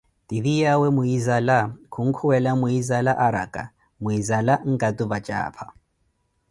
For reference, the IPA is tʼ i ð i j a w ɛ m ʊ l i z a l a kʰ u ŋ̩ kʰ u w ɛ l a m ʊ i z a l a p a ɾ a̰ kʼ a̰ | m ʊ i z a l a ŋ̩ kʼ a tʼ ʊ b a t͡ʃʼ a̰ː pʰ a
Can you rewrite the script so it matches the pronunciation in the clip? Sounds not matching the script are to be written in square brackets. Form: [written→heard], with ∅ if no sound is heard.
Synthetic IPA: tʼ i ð i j a w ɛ m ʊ [l→∅] i z a l a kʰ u ŋ̩ kʰ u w ɛ l a m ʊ i z a l a [p→ʔ] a ɾ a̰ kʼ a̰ | m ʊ i z a l a ŋ̩ kʼ a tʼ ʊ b a t͡ʃʼ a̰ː pʰ a